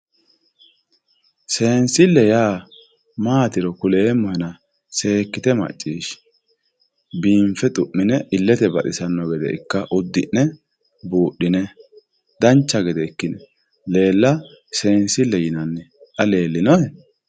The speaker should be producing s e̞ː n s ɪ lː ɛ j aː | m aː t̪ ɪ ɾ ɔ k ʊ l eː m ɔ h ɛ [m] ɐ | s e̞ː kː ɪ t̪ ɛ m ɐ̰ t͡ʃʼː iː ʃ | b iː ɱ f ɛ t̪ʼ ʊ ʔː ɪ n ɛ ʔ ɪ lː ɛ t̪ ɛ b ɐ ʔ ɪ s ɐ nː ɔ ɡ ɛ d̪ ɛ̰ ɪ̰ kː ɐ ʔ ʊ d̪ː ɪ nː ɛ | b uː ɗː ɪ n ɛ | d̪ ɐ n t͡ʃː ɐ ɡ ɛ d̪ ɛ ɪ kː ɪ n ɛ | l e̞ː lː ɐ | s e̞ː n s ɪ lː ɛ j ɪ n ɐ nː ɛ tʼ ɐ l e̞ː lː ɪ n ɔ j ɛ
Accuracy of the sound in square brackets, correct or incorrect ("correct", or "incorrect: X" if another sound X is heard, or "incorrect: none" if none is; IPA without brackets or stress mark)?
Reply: incorrect: n